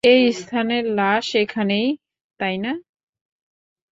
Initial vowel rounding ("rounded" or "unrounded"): unrounded